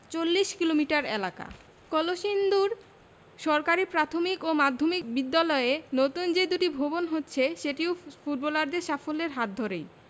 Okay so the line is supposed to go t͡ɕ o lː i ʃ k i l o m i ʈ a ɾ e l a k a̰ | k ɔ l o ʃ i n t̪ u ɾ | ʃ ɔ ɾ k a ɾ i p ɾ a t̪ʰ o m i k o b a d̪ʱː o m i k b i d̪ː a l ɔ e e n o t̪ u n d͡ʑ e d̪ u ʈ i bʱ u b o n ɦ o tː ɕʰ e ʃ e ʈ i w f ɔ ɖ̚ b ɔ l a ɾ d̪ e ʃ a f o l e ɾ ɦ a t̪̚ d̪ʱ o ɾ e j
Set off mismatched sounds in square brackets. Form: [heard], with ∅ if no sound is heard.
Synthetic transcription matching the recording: t͡ɕ o lː i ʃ k i l o m i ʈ a ɾ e l a k a̰ | k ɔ l o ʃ i n [d̪] u ɾ | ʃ ɔ ɾ k a ɾ i p ɾ a t̪ʰ o m i k o [m] a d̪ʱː o m i k b i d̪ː a l ɔ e e n o t̪ u n d͡ʑ e d̪ u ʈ i bʱ [o] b o n ɦ o tː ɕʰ e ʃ e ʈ i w f [u] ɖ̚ b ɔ l a ɾ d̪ e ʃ a f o l e ɾ ɦ a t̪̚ d̪ʱ o ɾ e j

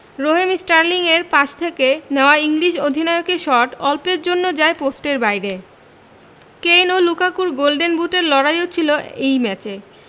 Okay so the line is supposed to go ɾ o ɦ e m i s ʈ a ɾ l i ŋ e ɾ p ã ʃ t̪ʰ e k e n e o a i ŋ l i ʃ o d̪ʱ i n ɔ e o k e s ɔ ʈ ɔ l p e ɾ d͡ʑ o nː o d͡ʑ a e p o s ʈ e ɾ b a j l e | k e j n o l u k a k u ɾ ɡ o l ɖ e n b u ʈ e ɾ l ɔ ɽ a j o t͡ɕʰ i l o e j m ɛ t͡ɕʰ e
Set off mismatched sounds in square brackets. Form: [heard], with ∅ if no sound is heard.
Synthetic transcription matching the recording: ɾ o ɦ e m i s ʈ a ɾ l i ŋ e ɾ p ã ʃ t̪ʰ e k e n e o a i ŋ l i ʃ o d̪ʱ i n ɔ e o k e [ʃ] ɔ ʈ ɔ l p e ɾ d͡ʑ o nː o d͡ʑ a e p o s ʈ e ɾ b a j [ɾ] e | k e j n o l u k a k u ɾ ɡ o l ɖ e n b u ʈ e ɾ l ɔ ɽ a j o t͡ɕʰ i l o e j m ɛ [t͡ɕ] e

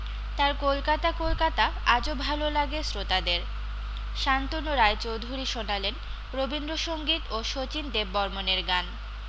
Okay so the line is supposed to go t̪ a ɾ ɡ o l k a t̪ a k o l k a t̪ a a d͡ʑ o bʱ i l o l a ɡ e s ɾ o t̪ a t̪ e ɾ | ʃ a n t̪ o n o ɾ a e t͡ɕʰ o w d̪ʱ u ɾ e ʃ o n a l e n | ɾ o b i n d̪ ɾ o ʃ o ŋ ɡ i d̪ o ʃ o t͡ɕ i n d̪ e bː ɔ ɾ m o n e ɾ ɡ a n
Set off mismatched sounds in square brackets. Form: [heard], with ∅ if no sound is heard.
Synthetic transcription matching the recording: t̪ a ɾ [k] o l k a t̪ a k o l k a t̪ a a d͡ʑ o bʱ [a] l o l a ɡ e s ɾ o t̪ a [d̪] e ɾ | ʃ a n t̪ o n o ɾ a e [t͡ɕ] o w d̪ʱ u ɾ [i] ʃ o n a l e n | ɾ o b i n d̪ ɾ o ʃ o ŋ ɡ i [t̪] o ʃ o t͡ɕ i n d̪ e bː ɔ ɾ m o n e ɾ ɡ a n

